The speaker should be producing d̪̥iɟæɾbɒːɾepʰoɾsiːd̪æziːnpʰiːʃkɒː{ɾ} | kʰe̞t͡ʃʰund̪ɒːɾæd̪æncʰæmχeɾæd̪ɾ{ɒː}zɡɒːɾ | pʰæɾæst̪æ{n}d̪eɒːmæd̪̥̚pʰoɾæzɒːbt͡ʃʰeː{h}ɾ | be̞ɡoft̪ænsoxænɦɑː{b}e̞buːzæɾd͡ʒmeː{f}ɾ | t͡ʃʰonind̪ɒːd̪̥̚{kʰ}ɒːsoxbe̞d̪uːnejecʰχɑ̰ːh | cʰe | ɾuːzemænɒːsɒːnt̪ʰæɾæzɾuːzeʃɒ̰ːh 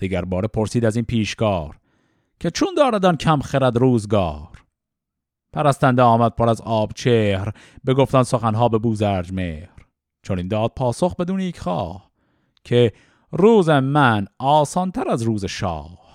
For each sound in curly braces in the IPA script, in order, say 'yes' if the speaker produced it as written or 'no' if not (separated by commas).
yes, no, yes, yes, yes, no, no